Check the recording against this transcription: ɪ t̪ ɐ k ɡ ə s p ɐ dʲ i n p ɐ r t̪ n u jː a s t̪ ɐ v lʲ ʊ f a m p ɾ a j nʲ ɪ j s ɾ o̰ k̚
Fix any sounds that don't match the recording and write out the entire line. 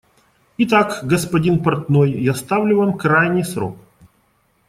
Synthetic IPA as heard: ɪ t̪ a k ɡ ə s p ɐ dʲ i n p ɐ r t̪ n o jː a s t̪ a v lʲ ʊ v a m k ɾ a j nʲ ɪ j s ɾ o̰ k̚